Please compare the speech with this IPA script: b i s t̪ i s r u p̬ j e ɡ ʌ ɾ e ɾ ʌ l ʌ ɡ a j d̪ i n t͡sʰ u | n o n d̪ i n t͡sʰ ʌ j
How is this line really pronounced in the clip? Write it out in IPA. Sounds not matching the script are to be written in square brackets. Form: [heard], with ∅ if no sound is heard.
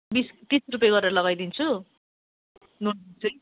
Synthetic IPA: b i s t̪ i s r u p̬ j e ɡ ʌ ɾ e ɾ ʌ l ʌ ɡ a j d̪ i n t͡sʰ u | n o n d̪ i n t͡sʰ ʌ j